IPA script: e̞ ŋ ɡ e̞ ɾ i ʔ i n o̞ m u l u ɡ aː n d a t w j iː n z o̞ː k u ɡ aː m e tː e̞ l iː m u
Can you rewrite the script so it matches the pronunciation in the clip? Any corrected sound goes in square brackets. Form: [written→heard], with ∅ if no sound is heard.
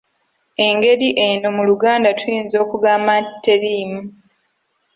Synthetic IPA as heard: e̞ ŋ ɡ e̞ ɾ i ʔ [i→e] n o̞ m u l u ɡ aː n d a t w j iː n z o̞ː k u ɡ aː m [e→a] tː e̞ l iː m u